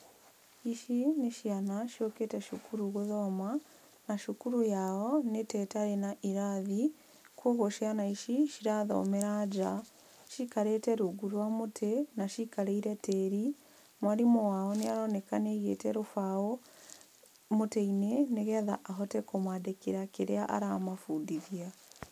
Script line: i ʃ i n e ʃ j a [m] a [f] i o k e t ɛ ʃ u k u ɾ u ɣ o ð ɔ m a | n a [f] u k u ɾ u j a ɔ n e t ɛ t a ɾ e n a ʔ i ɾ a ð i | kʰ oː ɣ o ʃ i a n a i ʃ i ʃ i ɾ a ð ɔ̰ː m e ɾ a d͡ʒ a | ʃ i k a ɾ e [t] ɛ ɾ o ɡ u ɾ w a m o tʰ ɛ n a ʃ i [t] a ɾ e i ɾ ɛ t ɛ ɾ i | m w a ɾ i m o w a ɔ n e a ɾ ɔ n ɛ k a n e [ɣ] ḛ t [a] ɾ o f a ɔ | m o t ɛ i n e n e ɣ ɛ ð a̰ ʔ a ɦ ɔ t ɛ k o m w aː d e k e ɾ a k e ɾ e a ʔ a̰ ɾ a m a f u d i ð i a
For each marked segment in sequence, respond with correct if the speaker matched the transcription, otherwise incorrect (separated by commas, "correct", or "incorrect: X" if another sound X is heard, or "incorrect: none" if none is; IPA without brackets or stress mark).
incorrect: n, incorrect: ʃ, incorrect: ʃ, correct, incorrect: k, correct, incorrect: ɛ